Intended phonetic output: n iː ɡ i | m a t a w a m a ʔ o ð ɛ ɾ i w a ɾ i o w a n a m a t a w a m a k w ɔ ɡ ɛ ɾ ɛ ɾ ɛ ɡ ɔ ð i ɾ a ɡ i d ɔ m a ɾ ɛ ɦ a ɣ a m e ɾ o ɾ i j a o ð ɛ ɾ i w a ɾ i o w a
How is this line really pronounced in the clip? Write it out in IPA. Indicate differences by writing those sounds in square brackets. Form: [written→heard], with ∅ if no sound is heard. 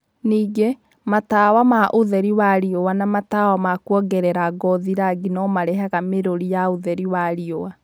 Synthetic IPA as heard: n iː ɡ [i→e] | m a t a w a m a ʔ o ð ɛ ɾ i w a ɾ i o w a n a m a t a w a m a k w ɔ ɡ ɛ ɾ ɛ ɾ [ɛ→a] ɡ ɔ ð i ɾ a ɡ i [d→n] ɔ m a ɾ ɛ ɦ a ɣ a m e ɾ o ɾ i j a o ð ɛ ɾ i w a ɾ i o w a